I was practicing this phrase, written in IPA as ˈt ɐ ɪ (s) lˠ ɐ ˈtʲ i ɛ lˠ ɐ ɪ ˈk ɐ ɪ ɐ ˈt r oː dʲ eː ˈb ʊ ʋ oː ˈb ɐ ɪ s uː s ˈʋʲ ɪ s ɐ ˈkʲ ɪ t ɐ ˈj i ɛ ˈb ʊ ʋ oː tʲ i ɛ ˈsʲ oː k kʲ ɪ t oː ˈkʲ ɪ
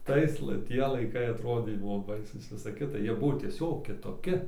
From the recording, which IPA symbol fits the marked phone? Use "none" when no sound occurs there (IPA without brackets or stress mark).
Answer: s